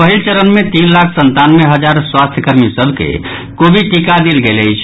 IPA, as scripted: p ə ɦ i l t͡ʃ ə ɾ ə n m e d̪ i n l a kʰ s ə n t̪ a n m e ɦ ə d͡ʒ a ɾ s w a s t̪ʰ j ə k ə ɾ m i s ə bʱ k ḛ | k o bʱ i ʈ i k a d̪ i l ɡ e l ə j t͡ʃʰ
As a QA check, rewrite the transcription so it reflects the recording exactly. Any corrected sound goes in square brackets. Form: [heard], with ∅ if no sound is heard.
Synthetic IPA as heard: p ə ɦ i l t͡ʃ ə ɾ ə n m e [t̪] i n l a kʰ s ə n t̪ a n m e ɦ ə d͡ʒ a ɾ s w a s t̪ʰ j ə k ə ɾ m i s ə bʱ k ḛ | k o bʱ i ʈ i k a d̪ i l ɡ e l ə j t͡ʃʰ